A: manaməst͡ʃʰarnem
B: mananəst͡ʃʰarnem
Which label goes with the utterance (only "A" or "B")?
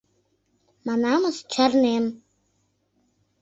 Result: A